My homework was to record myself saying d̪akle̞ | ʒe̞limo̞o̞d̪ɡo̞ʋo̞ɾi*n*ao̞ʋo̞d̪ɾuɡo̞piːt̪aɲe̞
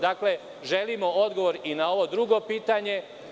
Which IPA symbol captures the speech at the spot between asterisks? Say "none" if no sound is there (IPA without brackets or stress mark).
n